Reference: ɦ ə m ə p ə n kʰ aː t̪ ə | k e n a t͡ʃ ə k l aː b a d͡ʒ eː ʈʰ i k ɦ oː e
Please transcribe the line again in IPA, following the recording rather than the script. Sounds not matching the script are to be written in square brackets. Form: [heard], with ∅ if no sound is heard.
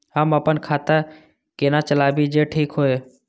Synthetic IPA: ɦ ə m ə p ə n kʰ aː t̪ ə | k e n a t͡ʃ ə [∅] l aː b [i] d͡ʒ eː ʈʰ [iː] k ɦ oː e